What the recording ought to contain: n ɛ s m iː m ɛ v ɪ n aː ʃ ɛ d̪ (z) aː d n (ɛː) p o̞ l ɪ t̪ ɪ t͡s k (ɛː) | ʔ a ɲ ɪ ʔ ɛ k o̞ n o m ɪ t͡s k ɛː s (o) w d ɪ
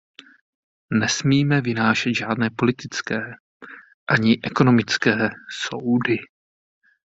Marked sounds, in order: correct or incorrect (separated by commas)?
incorrect, correct, correct, correct